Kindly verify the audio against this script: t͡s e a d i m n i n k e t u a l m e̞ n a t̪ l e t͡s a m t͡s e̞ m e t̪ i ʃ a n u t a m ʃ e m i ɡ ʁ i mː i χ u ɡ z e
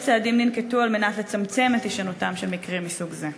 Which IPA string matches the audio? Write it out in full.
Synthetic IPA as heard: t͡s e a d i m n i n k e t u a l m e̞ n a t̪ l e t͡s a m t͡s e̞ m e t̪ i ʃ a n u t a m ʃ e m i k ʁ i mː i s u ɡ z e